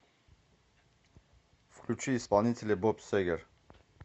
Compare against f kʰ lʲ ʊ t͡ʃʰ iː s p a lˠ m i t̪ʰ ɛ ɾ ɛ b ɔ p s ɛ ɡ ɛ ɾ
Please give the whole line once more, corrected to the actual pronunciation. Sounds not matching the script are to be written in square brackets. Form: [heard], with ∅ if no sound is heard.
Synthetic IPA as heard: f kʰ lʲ [u] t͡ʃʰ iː s p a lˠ [n] i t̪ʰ ɛ [l] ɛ b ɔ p s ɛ ɡ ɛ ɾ